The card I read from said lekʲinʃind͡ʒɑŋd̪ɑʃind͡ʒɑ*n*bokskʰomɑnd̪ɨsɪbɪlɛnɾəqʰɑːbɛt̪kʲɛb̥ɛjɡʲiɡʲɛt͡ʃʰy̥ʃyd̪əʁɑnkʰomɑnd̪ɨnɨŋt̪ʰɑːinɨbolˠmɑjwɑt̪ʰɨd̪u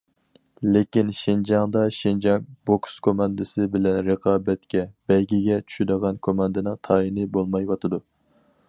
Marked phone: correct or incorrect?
incorrect